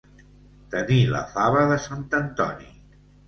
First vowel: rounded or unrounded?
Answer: unrounded